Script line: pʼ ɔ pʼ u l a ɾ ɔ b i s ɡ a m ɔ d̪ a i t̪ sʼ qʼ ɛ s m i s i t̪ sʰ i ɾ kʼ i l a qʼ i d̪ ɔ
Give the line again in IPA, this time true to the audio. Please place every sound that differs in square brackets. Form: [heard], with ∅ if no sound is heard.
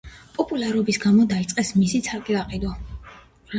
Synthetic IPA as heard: pʼ ɔ pʼ u l a ɾ ɔ b i s ɡ a m ɔ d̪ a i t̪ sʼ qʼ ɛ s m i s i t̪ sʰ [a] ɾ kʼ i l a qʼ i d̪ ɔ

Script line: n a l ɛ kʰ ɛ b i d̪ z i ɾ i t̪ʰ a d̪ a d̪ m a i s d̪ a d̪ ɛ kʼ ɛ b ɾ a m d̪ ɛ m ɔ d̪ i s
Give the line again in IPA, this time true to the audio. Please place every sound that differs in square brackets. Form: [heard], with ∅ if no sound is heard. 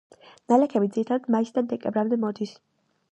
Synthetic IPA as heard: n a l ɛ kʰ ɛ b i d̪ z i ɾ i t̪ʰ a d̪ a d̪ m a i s d̪ a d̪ ɛ kʼ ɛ b ɾ a m d̪ ɛ m ɔ d̪ i s

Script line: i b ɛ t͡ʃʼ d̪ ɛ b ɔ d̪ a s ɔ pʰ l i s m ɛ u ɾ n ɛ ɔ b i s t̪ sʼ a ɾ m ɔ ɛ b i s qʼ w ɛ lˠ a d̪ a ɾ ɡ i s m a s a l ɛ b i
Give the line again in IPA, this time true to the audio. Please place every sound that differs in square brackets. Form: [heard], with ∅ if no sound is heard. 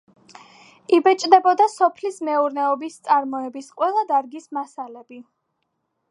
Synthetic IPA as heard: i b ɛ t͡ʃʼ d̪ ɛ b ɔ d̪ a s ɔ pʰ l i s m ɛ u ɾ n ɛ ɔ b i s t̪ sʼ a ɾ m ɔ ɛ b i s qʼ w ɛ lˠ a d̪ a ɾ ɡ i s m a s a l ɛ b i

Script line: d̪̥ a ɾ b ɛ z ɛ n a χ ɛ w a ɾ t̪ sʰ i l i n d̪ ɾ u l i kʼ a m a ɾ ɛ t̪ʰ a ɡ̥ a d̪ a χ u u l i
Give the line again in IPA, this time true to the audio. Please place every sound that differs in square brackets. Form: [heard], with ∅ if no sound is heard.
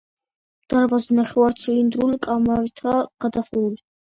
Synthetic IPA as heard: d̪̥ a ɾ b [a] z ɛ n a χ ɛ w a ɾ t̪ sʰ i l i n d̪ ɾ u l i kʼ a m a ɾ [i] t̪ʰ a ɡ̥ a d̪ a χ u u l i

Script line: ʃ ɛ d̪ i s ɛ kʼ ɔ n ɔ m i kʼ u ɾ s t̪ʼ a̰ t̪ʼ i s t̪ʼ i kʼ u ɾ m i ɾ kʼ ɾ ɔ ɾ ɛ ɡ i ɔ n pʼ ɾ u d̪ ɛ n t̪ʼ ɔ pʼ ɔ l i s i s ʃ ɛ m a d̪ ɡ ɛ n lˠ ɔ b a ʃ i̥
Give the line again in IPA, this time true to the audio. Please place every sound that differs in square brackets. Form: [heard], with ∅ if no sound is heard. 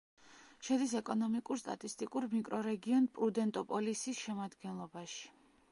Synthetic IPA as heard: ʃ ɛ d̪ i s ɛ kʼ ɔ n ɔ m i kʼ u ɾ s t̪ʼ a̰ t̪ʼ i s t̪ʼ i kʼ u ɾ m i [∅] kʼ ɾ ɔ ɾ ɛ ɡ i ɔ n pʼ ɾ u d̪ ɛ n t̪ʼ ɔ pʼ ɔ l i s i s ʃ ɛ m a d̪ ɡ ɛ n lˠ ɔ b a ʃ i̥

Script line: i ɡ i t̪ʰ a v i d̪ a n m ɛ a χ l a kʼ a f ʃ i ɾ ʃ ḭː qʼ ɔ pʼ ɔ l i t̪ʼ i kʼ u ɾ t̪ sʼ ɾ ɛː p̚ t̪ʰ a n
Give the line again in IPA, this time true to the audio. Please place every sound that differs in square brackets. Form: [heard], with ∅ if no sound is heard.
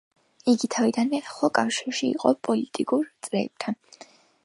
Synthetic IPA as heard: i ɡ i t̪ʰ a v i d̪ a n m ɛ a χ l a kʼ a f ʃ i ɾ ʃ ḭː qʼ ɔ pʼ ɔ l i t̪ʼ i kʼ u ɾ t̪ sʼ ɾ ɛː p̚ t̪ʰ a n

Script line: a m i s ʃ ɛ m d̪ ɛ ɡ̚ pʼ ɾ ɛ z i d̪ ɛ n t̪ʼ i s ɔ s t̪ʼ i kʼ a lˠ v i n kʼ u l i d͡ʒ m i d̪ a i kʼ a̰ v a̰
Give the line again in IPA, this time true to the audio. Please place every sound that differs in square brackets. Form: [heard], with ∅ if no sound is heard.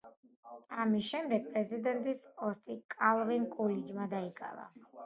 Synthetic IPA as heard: a m i s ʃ ɛ m d̪ ɛ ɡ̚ pʼ ɾ ɛ z i d̪ ɛ n t̪ʼ i s ɔ s t̪ʼ i kʼ a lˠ v i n kʼ u l i d͡ʒ m [a] d̪ a i kʼ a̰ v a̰

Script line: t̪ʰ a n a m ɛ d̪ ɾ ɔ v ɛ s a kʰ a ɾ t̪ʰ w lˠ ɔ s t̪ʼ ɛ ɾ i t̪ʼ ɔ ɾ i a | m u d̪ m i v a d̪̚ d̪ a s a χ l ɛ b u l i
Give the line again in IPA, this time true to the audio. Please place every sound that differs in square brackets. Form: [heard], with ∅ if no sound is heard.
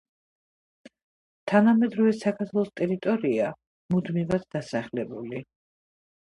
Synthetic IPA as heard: t̪ʰ a n a m ɛ d̪ ɾ ɔ v ɛ s a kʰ a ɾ t̪ʰ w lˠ ɔ s t̪ʼ ɛ ɾ i t̪ʼ ɔ ɾ i a | m u d̪ m i v a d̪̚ d̪ a s a χ l ɛ b u l i

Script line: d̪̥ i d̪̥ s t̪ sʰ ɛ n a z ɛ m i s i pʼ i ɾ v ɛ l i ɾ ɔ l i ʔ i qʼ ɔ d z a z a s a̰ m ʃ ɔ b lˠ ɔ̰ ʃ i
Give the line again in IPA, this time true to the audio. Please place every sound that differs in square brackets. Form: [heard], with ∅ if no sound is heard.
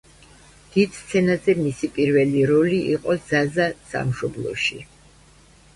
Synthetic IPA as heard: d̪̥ i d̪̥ s t̪ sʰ ɛ n a z ɛ m i s i pʼ i ɾ v ɛ l i ɾ ɔ l i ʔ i qʼ ɔ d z a z a s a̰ m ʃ ɔ b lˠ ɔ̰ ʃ i

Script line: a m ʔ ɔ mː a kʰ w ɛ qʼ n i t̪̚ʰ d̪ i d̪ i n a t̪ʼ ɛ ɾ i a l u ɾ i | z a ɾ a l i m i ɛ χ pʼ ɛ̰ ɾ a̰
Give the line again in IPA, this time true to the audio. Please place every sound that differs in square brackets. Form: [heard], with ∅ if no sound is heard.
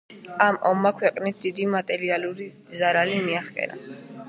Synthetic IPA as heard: a m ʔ ɔ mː a kʰ w ɛ qʼ n i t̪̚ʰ d̪ i d̪ i [m] a t̪ʼ ɛ ɾ i a l u ɾ i | z a ɾ a l i m i [a] χ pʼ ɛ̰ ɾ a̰

